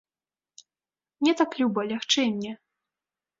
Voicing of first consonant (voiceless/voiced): voiced